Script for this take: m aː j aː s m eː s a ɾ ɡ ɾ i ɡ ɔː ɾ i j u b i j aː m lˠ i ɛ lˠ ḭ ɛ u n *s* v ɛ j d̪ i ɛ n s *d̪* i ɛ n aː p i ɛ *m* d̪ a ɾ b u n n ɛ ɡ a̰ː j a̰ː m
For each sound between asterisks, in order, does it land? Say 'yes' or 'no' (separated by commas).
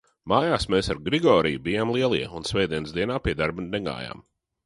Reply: yes, yes, no